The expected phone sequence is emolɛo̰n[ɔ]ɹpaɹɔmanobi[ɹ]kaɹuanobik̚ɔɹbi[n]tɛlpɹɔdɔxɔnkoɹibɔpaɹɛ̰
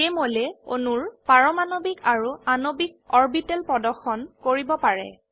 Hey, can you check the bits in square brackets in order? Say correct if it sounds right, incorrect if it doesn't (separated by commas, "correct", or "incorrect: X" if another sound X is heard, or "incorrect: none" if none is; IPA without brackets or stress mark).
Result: incorrect: u, incorrect: none, incorrect: none